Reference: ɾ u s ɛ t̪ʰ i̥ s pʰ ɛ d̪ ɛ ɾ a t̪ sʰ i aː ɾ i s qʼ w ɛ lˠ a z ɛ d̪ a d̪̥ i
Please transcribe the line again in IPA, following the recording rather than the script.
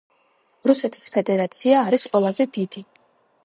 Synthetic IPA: ɾ u s ɛ t̪ʰ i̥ s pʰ ɛ d̪ ɛ ɾ a t̪ sʰ i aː ɾ i s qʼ w ɛ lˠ a z ɛ d̪ i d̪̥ i